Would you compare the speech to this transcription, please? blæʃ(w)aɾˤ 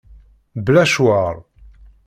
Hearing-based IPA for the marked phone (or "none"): w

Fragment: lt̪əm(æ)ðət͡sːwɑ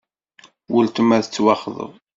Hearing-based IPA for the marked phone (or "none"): æ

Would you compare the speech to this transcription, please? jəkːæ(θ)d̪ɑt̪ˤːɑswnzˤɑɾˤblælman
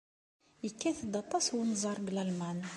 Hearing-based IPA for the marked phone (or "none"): θ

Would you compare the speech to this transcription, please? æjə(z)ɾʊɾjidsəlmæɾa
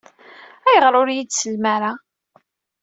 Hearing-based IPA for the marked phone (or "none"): ʁ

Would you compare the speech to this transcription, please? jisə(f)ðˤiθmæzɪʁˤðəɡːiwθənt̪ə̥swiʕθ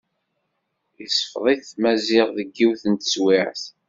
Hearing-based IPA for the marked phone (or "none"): f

